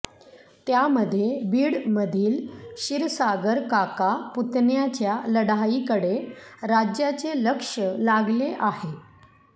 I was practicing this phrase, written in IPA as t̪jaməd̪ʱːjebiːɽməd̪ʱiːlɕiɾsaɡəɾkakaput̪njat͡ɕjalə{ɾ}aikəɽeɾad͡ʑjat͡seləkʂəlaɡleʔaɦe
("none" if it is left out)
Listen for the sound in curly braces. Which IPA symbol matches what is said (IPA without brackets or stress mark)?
ɽ